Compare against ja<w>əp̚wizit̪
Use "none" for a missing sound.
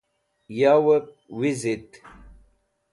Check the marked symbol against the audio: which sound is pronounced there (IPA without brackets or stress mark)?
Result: w